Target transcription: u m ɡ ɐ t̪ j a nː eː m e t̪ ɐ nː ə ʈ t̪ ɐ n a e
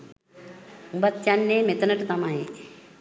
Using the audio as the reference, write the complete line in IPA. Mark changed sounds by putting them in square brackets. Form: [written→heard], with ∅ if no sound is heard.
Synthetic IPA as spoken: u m [ɡ→b] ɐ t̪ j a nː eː m e t̪ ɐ [nː→n] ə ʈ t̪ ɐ [n→m] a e